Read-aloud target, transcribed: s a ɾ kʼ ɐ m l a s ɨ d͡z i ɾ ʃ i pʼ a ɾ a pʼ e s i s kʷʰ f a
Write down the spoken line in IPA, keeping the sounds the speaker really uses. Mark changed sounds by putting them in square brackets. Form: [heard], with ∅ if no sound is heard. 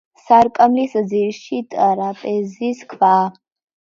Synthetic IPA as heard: s a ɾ kʼ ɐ m l [i] s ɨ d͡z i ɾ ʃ i [tʼ] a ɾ a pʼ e [z] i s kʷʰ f a